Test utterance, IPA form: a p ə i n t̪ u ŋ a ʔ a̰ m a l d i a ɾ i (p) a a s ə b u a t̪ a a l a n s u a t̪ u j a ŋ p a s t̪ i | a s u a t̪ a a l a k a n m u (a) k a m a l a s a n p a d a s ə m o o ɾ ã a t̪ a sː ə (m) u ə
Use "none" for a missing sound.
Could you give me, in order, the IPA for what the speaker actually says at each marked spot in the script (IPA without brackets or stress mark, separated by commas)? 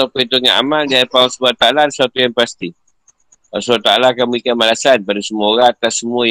p, i, m